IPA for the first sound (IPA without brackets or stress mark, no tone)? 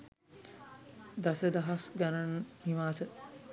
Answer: d̪